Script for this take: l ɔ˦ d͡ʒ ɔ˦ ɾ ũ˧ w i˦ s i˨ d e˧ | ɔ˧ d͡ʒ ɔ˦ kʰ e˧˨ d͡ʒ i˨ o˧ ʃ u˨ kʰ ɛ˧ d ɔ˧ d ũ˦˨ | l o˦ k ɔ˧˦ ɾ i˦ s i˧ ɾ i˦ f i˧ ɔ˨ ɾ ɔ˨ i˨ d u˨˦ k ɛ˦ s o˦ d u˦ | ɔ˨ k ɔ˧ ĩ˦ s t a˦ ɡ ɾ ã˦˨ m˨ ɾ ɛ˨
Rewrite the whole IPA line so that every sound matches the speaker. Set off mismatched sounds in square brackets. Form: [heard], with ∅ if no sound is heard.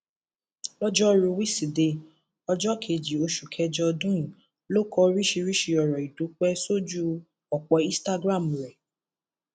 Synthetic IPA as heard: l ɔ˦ d͡ʒ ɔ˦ ɾ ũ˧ w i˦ s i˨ d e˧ | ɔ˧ d͡ʒ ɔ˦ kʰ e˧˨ d͡ʒ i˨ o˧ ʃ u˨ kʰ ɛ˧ [d͡ʒ] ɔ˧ d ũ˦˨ | l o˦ k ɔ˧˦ ɾ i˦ [ʃ] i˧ ɾ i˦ [ʃ] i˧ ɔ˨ ɾ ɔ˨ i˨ d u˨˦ [k͡p] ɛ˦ s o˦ [d͡ʒ] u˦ | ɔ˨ [k͡p] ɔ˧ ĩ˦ s t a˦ ɡ ɾ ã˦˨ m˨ ɾ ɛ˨